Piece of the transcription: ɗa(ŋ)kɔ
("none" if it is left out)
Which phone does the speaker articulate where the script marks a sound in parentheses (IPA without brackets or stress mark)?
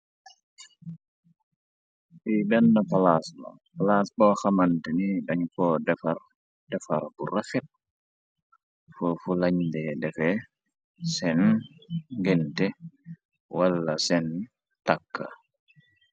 ɲ